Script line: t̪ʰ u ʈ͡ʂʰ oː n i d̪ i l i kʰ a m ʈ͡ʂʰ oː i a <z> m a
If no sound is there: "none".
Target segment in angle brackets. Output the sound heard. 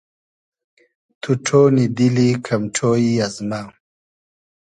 z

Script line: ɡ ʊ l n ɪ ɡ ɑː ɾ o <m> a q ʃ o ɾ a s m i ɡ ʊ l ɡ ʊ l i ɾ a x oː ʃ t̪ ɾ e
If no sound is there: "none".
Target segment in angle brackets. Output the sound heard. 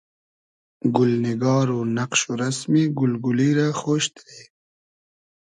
n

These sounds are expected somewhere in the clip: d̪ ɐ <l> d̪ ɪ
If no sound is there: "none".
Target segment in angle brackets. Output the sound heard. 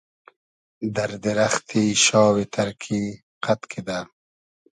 ɾ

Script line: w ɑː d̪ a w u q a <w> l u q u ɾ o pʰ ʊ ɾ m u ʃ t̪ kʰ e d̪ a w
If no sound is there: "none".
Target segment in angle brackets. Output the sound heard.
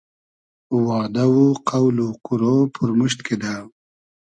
w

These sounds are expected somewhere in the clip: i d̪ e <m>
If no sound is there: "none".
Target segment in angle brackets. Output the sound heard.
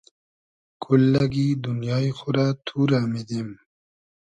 m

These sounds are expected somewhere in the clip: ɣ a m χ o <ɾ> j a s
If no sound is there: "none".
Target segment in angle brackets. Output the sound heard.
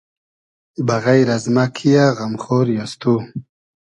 ɾ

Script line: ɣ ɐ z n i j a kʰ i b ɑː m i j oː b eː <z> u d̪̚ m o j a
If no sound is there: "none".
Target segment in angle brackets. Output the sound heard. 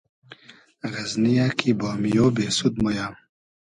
s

